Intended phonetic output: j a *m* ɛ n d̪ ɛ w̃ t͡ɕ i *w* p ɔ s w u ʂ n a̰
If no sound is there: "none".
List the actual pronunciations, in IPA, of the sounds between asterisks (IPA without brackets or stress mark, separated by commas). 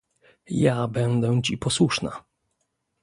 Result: b, none